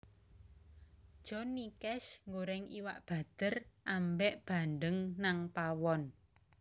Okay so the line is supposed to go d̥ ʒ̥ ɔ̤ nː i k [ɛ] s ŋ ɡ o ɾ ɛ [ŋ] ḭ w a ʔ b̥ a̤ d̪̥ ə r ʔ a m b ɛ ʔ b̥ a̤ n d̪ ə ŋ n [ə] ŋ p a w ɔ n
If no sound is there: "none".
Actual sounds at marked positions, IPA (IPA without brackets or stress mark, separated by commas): ɛ, ŋ, a